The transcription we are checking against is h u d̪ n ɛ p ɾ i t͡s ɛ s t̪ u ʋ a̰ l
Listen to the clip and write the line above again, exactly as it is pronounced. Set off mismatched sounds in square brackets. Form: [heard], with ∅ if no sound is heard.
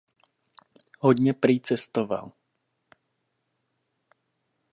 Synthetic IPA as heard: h [ɔ] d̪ [ɲ] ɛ p ɾ i t͡s ɛ s t̪ [ɔ] ʋ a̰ l